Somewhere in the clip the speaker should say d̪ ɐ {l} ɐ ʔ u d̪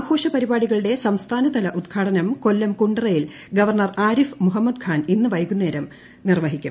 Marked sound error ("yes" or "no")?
no